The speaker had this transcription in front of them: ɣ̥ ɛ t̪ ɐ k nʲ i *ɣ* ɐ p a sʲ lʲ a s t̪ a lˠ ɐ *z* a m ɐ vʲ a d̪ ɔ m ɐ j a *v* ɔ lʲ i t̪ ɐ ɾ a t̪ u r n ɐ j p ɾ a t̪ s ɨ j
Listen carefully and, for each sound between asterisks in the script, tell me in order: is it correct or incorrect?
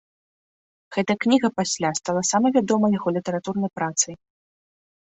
correct, incorrect, incorrect

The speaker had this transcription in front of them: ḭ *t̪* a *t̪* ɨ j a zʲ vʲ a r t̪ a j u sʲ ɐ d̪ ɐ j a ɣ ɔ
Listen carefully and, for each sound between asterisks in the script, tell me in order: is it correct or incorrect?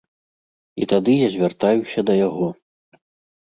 correct, incorrect

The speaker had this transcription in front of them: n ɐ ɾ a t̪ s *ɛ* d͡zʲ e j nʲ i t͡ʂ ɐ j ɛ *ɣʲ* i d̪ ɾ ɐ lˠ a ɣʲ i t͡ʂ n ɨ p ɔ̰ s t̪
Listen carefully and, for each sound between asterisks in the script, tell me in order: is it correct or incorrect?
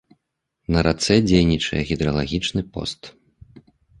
correct, correct

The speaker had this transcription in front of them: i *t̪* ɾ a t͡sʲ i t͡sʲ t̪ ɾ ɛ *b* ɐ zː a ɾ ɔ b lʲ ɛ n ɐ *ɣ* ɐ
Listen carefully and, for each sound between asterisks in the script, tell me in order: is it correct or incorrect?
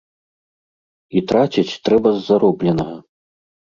correct, correct, correct

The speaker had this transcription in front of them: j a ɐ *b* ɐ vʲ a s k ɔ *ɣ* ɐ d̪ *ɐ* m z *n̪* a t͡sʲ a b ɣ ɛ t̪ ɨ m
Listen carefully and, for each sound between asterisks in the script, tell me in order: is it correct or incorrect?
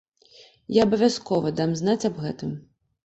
correct, incorrect, incorrect, correct

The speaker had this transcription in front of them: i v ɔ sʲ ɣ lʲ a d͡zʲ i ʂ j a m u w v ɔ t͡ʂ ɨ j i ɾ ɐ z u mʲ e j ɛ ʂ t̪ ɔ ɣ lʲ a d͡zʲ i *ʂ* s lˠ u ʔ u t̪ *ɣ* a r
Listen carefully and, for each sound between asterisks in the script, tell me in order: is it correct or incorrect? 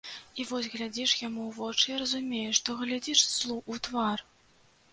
correct, incorrect

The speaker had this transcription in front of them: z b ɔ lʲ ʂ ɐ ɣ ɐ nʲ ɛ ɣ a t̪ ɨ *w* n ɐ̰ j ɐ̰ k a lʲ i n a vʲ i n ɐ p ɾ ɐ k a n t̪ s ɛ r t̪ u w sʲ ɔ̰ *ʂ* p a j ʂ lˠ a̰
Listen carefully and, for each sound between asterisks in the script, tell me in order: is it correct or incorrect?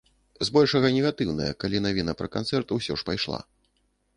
correct, correct

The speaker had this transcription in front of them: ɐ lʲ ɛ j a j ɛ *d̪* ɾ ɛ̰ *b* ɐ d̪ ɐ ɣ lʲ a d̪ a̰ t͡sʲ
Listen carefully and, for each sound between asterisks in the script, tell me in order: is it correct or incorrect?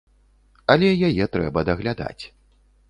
incorrect, correct

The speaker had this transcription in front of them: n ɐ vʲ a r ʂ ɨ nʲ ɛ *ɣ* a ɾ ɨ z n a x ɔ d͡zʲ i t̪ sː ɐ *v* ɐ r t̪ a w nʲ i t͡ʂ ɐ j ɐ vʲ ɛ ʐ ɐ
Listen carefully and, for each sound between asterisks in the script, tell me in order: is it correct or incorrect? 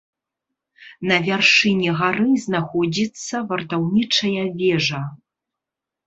correct, correct

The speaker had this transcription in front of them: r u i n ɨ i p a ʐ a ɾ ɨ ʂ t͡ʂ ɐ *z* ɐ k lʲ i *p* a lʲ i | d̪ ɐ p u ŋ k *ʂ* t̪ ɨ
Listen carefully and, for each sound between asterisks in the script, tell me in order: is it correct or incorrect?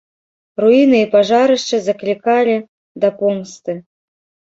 correct, incorrect, incorrect

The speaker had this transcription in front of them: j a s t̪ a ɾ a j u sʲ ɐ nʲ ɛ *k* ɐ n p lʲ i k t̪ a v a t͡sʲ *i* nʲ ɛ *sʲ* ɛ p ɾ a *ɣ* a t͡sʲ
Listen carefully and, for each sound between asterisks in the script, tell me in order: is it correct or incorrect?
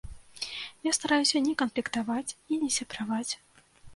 correct, correct, correct, incorrect

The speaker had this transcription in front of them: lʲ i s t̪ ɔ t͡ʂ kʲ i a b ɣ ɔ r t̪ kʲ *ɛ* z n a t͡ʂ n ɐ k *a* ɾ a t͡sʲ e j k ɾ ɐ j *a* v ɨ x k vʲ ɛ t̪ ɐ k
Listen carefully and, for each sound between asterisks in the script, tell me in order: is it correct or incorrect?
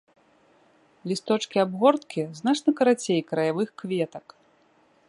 incorrect, incorrect, correct

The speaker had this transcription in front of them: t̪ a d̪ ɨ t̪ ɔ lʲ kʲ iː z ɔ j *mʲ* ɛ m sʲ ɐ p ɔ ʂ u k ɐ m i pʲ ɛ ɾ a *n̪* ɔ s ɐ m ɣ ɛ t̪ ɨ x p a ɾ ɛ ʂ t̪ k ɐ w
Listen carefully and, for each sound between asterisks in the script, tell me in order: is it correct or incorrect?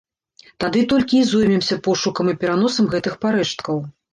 correct, correct

